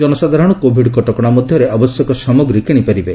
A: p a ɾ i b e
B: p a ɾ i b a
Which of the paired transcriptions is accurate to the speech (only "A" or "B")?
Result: A